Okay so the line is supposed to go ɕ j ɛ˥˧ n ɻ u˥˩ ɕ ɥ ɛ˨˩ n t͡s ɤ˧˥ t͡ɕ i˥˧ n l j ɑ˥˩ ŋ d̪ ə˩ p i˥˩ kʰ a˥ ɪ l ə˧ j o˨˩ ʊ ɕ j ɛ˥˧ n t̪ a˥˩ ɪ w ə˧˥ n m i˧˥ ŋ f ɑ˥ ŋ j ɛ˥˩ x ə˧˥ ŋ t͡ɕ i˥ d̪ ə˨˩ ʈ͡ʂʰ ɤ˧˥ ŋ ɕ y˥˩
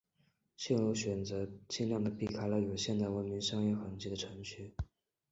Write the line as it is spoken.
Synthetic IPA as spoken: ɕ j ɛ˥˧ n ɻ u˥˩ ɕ ɥ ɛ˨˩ n t͡s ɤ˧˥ t͡ɕ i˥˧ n l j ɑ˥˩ ŋ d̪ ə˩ p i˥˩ kʰ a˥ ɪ l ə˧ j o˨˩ ʊ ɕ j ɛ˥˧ n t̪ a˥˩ ɪ w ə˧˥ n m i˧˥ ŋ ʂ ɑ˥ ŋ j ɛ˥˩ x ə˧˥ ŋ t͡ɕ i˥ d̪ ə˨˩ ʈ͡ʂʰ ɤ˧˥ ŋ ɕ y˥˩